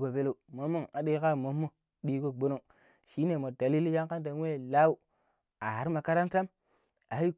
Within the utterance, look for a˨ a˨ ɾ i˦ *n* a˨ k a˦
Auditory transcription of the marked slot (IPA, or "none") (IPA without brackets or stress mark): m